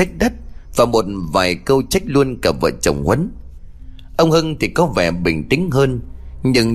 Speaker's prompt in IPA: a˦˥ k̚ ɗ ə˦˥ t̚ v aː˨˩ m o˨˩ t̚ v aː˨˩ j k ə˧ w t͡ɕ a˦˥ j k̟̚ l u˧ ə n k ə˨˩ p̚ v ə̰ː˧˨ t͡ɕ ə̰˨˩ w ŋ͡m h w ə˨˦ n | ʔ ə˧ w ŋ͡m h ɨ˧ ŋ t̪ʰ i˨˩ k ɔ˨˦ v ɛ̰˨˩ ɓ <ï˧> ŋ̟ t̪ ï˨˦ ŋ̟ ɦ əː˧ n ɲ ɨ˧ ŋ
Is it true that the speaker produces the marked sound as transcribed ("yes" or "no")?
no